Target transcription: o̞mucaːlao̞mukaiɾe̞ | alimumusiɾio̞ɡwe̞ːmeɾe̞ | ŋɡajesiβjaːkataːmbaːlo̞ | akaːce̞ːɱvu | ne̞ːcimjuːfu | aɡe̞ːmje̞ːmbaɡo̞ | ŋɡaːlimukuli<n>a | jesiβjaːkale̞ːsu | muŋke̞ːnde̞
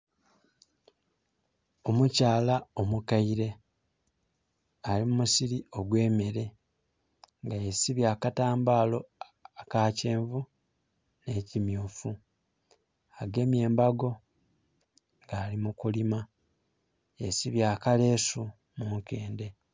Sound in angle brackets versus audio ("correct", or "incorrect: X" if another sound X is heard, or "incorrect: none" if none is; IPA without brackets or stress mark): incorrect: m